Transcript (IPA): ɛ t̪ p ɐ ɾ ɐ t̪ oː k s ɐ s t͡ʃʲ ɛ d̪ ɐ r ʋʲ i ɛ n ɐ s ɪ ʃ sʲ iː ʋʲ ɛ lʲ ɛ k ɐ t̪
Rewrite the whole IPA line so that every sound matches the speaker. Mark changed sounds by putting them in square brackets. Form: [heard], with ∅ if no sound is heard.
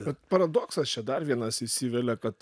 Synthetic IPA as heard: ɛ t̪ p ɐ ɾ ɐ [d̪] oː k s ɐ s t͡ʃʲ ɛ d̪ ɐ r ʋʲ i ɛ n ɐ s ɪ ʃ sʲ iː ʋʲ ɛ lʲ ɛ k ɐ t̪